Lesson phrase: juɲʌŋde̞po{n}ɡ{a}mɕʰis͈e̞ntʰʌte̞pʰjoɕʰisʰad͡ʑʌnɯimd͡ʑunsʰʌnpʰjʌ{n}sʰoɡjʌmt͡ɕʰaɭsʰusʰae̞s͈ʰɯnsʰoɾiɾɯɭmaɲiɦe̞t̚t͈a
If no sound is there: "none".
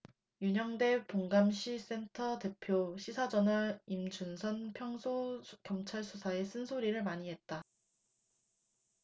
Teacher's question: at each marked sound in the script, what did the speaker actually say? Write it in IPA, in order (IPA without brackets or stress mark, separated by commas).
ŋ, a, ŋ